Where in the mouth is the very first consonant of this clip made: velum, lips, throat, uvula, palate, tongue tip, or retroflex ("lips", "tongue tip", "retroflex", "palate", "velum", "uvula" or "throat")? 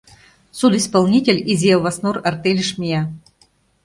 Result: tongue tip